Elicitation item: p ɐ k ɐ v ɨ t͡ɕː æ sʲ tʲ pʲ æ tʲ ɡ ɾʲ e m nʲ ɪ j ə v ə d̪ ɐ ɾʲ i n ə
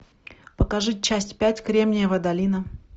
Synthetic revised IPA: p ə k ɐ ʐ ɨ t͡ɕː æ sʲ tʲ pʲ æ tʲ k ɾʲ e m nʲ ɪ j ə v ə d̪ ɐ lʲ i n ə